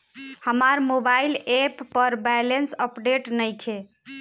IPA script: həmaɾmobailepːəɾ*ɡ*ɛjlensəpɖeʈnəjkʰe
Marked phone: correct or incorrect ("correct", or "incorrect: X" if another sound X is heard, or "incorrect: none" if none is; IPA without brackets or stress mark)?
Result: incorrect: b